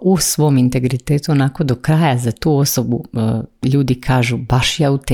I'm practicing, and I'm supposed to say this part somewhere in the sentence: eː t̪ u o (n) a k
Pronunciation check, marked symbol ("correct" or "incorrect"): correct